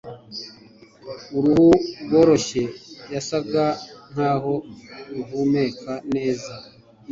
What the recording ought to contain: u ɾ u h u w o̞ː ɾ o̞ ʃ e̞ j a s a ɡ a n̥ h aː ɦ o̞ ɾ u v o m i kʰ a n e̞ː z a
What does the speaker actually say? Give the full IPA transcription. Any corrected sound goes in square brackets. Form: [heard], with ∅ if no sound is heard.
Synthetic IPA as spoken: u ɾ u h u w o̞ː ɾ o̞ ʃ e̞ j a s a ɡ a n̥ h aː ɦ o̞ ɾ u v [u] m [e] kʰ a n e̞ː z a